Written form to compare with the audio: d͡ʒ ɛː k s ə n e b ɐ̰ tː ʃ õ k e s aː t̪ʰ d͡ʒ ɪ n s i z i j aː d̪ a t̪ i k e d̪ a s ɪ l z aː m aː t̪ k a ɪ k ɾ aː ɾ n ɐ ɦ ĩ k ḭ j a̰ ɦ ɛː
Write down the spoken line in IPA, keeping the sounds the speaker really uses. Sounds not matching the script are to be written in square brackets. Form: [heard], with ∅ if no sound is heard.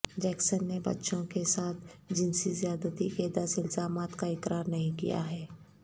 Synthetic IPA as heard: d͡ʒ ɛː k s ə [nː] e b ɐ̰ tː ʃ õ k e s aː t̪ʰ d͡ʒ ɪ n s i z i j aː d̪ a t̪ i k e d̪ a s ɪ l z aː m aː t̪ k a ɪ k ɾ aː ɾ n ɐ ɦ ĩ k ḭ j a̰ ɦ ɛː